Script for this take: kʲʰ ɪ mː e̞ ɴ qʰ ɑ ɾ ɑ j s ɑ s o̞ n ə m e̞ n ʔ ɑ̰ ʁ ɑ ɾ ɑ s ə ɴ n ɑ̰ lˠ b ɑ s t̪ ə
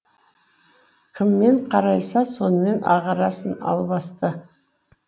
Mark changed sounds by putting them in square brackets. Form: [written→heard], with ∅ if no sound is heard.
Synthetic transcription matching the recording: kʲʰ ɪ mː e̞ ɴ qʰ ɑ ɾ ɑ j s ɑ s o̞ n ə m e̞ n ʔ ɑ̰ ʁ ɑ ɾ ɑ s ə [ɴ→∅] n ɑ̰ lˠ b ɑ s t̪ ə